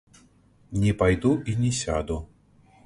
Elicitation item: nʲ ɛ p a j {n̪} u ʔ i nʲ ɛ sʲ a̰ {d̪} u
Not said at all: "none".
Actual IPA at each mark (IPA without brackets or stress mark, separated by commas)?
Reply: d̪, d̪